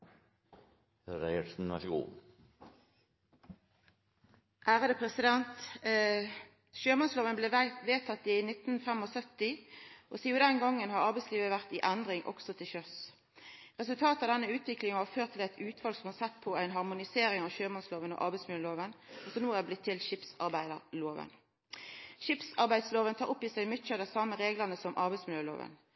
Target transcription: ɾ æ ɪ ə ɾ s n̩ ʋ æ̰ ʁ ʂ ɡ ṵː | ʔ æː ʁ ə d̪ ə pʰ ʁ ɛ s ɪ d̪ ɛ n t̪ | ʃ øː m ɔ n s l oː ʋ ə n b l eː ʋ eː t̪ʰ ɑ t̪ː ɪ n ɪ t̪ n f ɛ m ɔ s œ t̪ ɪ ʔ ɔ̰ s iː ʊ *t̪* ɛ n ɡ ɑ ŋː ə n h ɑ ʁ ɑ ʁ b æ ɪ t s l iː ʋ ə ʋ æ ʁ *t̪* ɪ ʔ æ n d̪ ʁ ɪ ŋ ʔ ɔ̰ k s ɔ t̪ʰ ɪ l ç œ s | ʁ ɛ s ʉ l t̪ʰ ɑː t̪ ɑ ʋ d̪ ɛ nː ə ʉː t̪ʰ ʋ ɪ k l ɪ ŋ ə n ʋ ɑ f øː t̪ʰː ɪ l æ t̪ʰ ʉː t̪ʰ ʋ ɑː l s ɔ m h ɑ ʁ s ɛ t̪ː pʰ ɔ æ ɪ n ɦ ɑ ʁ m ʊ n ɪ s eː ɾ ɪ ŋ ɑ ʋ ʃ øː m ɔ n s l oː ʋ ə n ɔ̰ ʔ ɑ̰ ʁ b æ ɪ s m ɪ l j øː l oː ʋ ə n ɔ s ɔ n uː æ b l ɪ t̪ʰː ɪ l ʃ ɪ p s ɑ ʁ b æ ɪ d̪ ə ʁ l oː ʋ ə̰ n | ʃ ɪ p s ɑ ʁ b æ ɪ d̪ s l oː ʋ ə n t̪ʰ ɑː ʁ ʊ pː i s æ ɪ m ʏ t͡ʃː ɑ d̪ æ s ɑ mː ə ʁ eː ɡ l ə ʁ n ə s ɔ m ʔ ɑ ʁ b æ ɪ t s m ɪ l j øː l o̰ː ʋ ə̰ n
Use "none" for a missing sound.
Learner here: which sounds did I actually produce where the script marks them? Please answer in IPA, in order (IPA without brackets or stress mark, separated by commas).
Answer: d̪, t̪